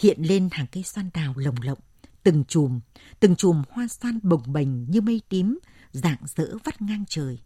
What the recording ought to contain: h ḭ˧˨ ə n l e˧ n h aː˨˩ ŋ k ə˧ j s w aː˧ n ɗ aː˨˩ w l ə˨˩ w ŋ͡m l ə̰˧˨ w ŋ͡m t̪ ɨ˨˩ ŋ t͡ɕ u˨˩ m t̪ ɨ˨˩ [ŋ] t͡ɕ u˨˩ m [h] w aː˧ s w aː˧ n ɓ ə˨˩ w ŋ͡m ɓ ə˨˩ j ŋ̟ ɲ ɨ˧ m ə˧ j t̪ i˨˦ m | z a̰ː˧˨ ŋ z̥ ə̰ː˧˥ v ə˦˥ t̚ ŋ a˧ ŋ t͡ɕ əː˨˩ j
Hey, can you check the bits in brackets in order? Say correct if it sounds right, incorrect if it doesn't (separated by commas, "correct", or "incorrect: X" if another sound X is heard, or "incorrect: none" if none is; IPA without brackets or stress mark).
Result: correct, correct